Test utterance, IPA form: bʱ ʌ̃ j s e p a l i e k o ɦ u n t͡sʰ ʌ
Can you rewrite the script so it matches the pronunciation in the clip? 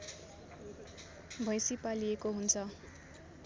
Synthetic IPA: bʱ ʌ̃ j s i p a l i e k o ɦ u n t͡sʰ ʌ